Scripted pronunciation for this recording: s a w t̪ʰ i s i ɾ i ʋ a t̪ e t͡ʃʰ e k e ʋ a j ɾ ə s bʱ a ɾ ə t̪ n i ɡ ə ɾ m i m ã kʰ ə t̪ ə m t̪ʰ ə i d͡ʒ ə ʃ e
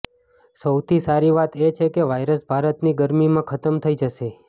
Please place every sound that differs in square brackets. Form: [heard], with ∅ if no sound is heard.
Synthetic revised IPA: s [ə] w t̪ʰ i s [a] ɾ i ʋ a t̪ e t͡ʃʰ e k e ʋ a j ɾ ə s bʱ a ɾ ə t̪ n i ɡ ə ɾ m i m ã kʰ ə t̪ ə m t̪ʰ ə i d͡ʒ ə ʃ e